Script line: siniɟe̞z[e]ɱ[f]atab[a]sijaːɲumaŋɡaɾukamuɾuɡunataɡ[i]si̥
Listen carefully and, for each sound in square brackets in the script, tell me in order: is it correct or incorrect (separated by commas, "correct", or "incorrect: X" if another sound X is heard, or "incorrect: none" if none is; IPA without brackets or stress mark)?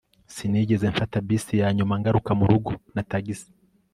correct, correct, incorrect: i, correct